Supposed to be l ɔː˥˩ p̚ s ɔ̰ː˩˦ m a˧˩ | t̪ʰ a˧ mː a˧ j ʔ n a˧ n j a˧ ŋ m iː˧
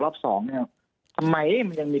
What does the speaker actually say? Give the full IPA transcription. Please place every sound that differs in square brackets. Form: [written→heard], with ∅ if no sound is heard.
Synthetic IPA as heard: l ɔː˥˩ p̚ s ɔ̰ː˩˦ [m→ŋ] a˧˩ | t̪ʰ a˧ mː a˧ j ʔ [n→m] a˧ n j a˧ ŋ m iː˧